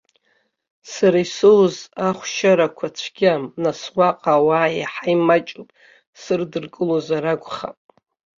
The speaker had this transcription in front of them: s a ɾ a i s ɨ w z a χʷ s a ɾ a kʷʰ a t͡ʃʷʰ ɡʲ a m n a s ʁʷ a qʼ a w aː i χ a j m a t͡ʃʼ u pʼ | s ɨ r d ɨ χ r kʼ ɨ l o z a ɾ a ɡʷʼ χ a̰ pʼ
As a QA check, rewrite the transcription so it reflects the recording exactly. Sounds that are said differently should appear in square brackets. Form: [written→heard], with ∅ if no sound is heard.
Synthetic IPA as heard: s a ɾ a i s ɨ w z a χʷ [s→ʃ] a ɾ a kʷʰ a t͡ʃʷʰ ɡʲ a m n a s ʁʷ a qʼ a w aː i [χ→ħ] a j m a t͡ʃʼ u pʼ | s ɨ r d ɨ [χ→∅] r kʼ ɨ l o z a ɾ a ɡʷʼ χ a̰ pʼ